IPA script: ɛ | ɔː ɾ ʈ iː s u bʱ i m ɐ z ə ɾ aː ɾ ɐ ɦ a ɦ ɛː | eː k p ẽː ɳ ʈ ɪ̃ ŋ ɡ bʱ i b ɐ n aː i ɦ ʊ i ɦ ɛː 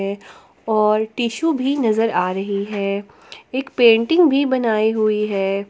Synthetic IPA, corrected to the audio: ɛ | ɔː ɾ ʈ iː ʃ u bʱ i n ɐ z ə ɾ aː ɾ ɐ ɦ i ɦ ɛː | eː k p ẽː ɳ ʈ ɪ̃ ŋ ɡ bʱ i b ɐ n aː i ɦ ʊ i ɦ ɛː